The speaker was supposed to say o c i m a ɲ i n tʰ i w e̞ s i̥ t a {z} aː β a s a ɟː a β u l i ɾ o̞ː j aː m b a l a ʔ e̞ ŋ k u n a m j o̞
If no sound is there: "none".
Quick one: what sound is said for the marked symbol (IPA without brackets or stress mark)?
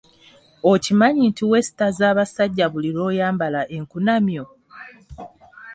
z